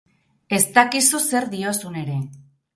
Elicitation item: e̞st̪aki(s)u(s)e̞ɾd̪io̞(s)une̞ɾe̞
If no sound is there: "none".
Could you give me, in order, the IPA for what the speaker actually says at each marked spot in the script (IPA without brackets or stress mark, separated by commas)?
s, s, s